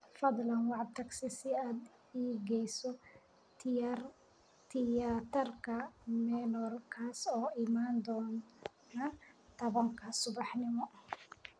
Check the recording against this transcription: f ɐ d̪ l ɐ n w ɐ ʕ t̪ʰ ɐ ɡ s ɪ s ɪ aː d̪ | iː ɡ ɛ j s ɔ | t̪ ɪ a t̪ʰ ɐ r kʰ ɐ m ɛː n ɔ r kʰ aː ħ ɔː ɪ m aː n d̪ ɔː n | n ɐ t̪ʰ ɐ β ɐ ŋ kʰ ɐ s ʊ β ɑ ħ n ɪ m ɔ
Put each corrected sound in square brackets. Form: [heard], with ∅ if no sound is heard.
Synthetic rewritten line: f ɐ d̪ l ɐ n w [ɑ] ʕ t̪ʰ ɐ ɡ s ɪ s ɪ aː d̪ | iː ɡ ɛ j s ɔ | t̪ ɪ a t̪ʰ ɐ r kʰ ɐ m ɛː n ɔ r kʰ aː [s] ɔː ɪ m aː n d̪ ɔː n | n ɐ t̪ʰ ɐ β ɐ ŋ kʰ ɐ s ʊ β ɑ ħ n ɪ m ɔ